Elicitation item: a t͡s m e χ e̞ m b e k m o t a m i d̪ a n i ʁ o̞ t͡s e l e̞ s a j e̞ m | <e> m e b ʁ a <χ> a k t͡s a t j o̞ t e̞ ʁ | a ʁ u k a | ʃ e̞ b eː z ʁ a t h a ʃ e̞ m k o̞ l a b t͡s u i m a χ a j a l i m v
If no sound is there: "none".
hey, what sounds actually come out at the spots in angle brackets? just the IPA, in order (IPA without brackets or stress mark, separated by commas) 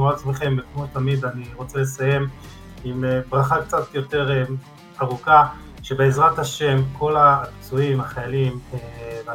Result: i, χ